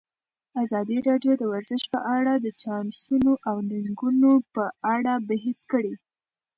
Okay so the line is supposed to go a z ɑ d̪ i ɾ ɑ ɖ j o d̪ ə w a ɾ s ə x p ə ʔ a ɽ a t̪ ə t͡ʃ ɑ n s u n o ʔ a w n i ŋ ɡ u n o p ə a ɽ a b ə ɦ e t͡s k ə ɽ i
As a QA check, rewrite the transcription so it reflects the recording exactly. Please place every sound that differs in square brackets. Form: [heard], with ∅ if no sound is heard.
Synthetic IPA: a z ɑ d̪ i ɾ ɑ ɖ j o d̪ ə w a ɾ [z] ə [ʃ] p ə ʔ a ɽ a [d̪] ə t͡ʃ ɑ n s u n o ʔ a w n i ŋ ɡ u n o p ə a ɽ a b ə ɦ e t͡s k ə ɽ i